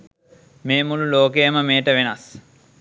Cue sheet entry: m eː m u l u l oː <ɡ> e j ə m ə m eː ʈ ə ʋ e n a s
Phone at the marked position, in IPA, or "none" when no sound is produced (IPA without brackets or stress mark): k